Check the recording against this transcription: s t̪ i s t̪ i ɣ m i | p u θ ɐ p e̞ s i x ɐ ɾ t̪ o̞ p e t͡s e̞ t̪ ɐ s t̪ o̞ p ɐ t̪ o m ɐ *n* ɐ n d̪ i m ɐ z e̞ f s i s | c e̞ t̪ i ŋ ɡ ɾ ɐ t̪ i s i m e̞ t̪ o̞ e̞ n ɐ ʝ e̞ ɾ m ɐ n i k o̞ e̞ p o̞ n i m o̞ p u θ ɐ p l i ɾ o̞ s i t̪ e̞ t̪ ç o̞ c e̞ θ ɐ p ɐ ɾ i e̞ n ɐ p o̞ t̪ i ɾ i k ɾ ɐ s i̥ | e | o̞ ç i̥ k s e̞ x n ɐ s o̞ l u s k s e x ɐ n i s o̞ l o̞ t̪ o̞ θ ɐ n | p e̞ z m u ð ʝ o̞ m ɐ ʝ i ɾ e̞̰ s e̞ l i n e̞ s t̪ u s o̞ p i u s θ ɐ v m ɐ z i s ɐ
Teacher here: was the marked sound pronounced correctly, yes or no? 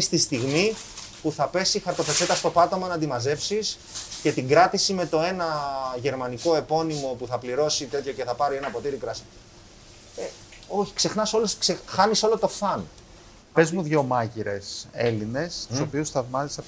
yes